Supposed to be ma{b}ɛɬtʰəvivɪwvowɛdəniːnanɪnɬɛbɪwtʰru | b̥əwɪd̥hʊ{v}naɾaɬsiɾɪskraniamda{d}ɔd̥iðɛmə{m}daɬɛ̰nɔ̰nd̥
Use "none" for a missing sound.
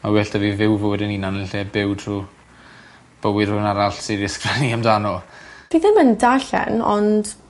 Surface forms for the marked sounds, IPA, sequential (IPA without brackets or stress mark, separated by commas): w, none, n, n